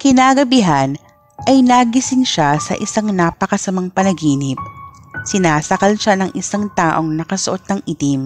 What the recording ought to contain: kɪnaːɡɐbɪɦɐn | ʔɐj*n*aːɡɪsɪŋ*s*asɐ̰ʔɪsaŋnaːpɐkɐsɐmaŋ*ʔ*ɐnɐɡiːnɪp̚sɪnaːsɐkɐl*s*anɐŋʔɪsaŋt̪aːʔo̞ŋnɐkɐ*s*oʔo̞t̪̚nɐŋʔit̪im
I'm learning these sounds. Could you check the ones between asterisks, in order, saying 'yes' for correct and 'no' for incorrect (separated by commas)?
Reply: yes, no, no, no, yes